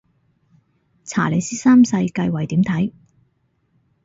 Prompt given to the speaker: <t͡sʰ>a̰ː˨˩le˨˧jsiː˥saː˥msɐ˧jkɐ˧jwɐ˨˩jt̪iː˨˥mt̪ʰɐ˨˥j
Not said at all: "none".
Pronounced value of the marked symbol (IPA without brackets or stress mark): t͡sʰ